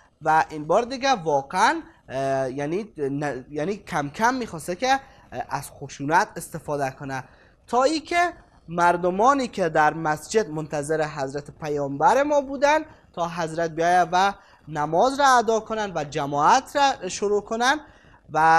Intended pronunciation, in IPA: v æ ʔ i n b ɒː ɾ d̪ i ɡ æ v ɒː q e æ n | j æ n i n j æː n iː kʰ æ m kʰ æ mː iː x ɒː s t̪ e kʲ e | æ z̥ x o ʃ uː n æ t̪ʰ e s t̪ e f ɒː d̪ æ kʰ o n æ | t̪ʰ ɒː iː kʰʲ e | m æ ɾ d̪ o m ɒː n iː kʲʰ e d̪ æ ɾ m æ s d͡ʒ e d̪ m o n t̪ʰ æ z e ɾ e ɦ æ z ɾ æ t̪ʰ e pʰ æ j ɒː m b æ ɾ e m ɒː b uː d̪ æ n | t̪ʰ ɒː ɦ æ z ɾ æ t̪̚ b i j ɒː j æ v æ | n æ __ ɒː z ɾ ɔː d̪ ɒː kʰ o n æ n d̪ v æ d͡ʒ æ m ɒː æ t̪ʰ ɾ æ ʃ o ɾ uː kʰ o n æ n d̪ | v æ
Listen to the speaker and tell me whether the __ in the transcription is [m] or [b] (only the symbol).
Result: m